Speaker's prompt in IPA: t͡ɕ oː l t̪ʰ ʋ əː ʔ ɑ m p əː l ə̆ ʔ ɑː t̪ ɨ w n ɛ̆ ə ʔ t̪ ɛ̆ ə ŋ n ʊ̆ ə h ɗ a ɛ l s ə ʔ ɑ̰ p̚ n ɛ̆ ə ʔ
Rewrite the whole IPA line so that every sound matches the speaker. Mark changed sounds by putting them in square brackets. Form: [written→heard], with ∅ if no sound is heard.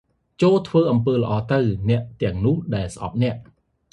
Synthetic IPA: t͡ɕ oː l t̪ʰ ʋ əː ʔ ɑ m p əː l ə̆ ʔ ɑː t̪ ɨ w n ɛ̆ ə ʔ t̪ ɛ̆ ə ŋ n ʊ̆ ə h ɗ a ɛ l s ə ʔ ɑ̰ p̚ n ɛ̆ ə ʔ